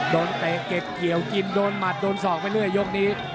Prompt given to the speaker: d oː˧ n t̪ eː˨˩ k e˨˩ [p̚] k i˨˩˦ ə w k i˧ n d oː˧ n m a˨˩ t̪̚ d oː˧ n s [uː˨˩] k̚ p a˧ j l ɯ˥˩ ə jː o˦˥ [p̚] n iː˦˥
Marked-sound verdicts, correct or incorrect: correct, incorrect: ɔː˨˩, incorrect: k̚

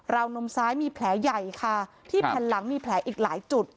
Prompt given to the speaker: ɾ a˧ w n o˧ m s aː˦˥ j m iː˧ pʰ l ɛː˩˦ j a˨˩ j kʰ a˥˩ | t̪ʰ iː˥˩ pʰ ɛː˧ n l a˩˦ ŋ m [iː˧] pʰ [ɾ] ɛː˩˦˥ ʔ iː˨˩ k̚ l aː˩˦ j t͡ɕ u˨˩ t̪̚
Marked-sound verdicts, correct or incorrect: correct, incorrect: l

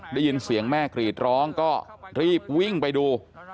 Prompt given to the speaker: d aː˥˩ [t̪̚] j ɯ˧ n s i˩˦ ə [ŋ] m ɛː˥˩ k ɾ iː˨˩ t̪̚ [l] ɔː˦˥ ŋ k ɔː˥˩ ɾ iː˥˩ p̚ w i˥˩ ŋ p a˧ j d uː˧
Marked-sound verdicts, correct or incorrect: incorrect: none, correct, incorrect: ɾ

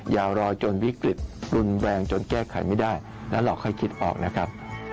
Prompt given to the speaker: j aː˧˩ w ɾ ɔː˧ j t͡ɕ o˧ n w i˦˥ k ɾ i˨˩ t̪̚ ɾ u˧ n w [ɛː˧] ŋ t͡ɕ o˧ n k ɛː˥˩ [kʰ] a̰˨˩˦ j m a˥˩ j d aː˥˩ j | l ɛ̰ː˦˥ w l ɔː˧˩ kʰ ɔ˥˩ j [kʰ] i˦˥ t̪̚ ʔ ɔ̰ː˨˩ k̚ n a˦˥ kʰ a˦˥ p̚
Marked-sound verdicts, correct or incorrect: correct, correct, correct

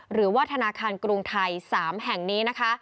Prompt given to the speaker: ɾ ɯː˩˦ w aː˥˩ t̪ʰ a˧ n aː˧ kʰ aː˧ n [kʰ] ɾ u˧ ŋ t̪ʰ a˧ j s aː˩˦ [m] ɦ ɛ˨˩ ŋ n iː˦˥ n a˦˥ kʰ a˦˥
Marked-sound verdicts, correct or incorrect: incorrect: k, correct

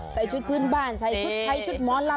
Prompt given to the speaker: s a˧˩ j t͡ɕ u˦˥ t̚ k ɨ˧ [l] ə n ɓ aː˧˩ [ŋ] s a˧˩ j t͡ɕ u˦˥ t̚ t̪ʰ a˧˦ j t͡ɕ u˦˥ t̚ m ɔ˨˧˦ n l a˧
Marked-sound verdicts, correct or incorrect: incorrect: none, incorrect: n

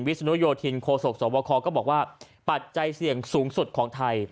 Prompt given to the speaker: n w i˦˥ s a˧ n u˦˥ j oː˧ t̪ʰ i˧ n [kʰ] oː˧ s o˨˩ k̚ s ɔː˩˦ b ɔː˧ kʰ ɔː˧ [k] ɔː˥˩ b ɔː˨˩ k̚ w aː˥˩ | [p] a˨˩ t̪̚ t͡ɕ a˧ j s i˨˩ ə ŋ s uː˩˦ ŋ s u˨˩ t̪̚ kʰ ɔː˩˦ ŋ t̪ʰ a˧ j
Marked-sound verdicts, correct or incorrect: correct, correct, correct

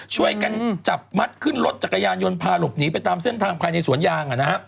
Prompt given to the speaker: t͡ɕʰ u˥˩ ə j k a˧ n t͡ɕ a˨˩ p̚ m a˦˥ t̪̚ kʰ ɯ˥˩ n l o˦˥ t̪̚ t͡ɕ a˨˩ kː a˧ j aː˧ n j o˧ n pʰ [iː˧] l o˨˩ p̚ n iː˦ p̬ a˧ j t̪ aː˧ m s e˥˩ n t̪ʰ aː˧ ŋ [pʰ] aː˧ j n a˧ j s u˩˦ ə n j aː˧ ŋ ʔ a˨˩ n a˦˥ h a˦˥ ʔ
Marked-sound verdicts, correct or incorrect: incorrect: aː˧, correct

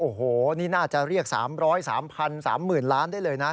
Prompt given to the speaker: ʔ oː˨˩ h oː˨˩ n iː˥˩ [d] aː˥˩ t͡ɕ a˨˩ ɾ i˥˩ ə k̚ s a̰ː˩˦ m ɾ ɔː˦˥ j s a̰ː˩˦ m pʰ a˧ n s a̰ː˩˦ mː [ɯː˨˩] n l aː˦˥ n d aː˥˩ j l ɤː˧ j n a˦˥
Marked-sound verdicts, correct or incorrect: incorrect: n, correct

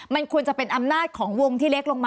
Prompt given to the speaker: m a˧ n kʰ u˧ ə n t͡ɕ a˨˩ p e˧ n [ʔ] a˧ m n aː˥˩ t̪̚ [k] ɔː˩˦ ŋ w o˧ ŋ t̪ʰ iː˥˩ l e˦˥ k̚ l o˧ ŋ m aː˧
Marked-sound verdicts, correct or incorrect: correct, incorrect: kʰ

